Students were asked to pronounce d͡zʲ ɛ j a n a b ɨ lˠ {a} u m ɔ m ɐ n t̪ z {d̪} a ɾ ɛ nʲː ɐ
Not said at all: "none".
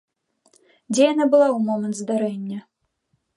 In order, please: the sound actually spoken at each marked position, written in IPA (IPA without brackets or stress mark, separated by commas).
a, d̪